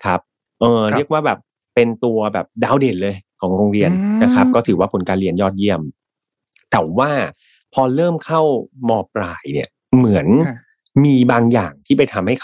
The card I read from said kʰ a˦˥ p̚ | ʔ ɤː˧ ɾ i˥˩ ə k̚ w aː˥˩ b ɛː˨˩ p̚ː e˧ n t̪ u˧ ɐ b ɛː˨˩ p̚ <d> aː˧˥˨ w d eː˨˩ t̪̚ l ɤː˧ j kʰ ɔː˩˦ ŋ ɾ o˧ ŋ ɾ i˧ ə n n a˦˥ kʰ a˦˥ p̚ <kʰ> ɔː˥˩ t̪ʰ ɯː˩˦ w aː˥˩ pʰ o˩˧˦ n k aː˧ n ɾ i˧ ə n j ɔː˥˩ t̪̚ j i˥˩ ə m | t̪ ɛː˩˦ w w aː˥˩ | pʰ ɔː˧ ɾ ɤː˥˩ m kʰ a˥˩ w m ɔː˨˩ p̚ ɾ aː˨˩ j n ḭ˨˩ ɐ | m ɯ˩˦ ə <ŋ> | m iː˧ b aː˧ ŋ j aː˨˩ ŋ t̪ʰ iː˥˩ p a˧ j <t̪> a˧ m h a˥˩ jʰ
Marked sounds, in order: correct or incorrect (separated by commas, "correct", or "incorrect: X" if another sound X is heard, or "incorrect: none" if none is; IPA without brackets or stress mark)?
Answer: correct, incorrect: k, incorrect: n, incorrect: t̪ʰ